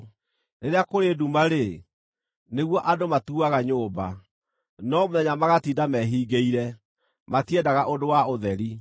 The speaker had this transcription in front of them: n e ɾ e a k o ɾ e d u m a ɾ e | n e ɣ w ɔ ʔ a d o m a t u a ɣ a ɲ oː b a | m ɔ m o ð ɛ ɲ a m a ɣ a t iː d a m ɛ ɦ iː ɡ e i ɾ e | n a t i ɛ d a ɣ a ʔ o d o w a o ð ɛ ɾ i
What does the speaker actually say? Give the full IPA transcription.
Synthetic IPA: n e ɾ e a k o ɾ e d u m a ɾ e | n e ɣ w ɔ ʔ a d o m a t u a ɣ a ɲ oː b a | n ɔ m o ð ɛ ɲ a m a ɣ a t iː d a m ɛ ɦ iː ɡ e i ɾ ɛ | m a t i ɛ d a ɣ a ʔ o d o w a o ð ɛ ɾ i